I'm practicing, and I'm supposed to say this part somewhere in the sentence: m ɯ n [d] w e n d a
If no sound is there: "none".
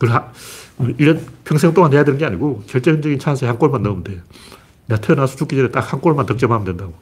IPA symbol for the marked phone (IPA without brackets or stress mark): d